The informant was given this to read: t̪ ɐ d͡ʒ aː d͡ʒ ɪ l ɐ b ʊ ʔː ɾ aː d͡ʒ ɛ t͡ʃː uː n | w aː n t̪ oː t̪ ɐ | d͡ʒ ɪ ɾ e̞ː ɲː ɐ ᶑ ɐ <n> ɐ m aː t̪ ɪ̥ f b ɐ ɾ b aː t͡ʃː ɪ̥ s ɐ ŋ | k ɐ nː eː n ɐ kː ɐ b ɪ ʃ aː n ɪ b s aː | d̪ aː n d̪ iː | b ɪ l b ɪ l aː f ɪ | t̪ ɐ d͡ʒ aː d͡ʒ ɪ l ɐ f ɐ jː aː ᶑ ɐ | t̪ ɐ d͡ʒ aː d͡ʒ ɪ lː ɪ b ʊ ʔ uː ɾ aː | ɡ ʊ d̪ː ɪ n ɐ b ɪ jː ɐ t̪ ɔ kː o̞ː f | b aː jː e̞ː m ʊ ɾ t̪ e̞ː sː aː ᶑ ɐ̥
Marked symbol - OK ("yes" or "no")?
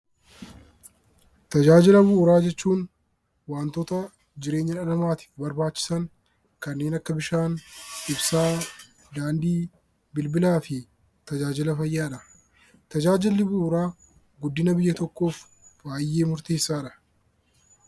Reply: yes